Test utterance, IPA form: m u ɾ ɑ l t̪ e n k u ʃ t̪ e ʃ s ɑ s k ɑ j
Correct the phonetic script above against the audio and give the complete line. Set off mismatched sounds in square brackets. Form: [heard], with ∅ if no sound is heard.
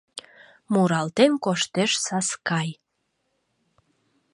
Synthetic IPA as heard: m u ɾ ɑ l t̪ e n k [o] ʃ t̪ e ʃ s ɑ s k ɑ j